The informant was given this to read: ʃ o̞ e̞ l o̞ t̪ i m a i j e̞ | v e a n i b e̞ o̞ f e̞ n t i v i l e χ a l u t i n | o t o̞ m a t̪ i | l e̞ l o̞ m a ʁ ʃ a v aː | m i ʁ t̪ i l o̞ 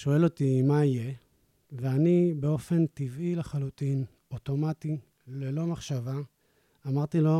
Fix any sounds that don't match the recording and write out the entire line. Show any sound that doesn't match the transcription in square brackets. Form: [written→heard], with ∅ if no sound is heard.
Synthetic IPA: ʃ o̞ e̞ l o̞ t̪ i m a i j e̞ | v e a n i b e̞ o̞ f e̞ n t i v i l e χ a l u t i n | o t o̞ m a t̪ i | l e̞ l o̞ m a [ʁ→χ] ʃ a v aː | m [i→a] ʁ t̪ i l o̞